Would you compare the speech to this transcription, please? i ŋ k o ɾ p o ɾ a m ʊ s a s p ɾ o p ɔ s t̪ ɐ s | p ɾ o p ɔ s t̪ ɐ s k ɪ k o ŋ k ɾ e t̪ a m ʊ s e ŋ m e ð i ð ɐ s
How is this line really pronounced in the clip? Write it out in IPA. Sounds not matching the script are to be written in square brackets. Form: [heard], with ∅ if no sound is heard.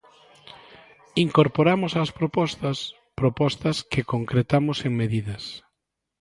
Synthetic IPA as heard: i ŋ k o ɾ p o ɾ a m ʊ s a s p ɾ o p ɔ s t̪ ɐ s | p ɾ o p ɔ s t̪ ɐ s k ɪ k o ŋ k ɾ e t̪ a m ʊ s e ŋ m e ð i ð ɐ s